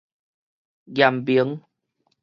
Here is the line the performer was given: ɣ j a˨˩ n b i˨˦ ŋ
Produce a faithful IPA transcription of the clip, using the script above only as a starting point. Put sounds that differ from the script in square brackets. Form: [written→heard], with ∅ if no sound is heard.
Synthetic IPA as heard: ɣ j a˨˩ [n→m] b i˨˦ ŋ